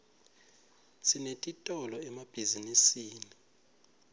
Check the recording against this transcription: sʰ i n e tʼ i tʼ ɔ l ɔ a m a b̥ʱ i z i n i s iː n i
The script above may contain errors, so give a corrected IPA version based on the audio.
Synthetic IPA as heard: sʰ i n e tʼ i tʼ ɔ l ɔ ɛ m a b̥ʱ i z i n i s iː n i